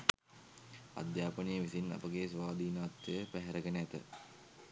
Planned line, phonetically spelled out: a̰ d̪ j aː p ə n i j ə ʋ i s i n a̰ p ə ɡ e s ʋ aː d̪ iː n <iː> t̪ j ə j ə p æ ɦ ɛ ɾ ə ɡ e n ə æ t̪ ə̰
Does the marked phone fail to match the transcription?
yes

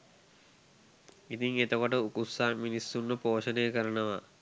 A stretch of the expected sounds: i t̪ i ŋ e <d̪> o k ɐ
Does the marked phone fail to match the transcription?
yes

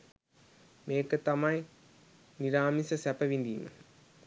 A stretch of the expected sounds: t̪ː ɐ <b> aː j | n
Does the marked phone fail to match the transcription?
yes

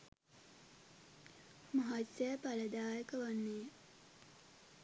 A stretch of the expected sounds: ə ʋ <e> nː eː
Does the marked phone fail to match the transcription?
yes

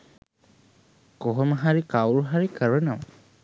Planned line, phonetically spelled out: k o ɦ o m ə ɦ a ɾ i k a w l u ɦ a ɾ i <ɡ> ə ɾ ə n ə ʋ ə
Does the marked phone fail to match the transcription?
yes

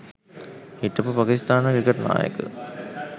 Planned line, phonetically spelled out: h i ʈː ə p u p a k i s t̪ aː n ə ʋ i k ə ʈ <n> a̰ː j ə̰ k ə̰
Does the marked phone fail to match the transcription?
no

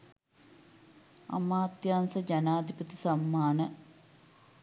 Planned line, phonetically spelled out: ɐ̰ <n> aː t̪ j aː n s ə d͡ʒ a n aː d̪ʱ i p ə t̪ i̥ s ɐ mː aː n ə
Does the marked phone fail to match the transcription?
yes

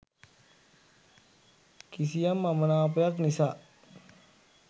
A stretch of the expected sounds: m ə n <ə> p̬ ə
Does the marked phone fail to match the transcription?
yes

